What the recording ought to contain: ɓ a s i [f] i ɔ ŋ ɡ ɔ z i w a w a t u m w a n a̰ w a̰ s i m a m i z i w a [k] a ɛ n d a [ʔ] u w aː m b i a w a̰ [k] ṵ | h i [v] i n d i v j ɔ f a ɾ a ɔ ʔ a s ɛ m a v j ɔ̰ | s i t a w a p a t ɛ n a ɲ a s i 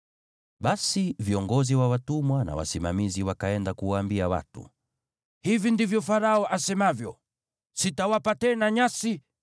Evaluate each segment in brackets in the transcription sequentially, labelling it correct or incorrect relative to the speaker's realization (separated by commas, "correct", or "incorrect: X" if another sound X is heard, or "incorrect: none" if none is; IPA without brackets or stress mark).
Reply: incorrect: v, correct, incorrect: k, incorrect: t, correct